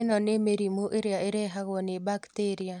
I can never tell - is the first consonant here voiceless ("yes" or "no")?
no